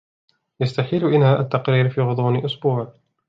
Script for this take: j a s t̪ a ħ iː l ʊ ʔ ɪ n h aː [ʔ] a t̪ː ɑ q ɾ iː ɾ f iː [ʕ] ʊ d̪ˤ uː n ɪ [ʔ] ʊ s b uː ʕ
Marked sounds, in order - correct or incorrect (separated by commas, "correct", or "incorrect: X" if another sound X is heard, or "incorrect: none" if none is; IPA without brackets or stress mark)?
correct, incorrect: ɣ, correct